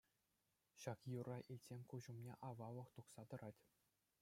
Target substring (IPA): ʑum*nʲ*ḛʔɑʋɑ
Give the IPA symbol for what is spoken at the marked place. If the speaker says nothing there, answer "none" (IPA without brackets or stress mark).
nʲ